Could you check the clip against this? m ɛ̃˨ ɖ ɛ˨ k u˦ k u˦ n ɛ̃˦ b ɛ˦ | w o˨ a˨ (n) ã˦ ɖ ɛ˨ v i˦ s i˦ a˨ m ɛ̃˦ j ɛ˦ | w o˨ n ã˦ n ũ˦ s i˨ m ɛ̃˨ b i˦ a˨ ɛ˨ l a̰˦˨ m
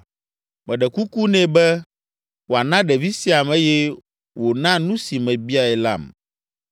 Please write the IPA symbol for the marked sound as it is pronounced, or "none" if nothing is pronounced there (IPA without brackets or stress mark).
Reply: n